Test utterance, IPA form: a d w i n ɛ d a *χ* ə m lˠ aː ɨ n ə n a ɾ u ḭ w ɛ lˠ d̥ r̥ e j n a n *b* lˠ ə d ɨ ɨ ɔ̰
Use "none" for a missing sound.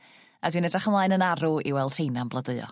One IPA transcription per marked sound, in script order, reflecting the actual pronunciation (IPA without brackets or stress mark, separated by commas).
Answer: χ, b